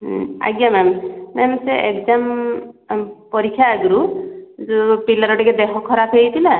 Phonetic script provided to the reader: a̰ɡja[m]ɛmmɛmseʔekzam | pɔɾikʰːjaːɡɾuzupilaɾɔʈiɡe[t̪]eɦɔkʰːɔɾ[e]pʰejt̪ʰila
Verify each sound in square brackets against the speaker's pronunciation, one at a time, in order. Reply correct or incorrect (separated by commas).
correct, incorrect, incorrect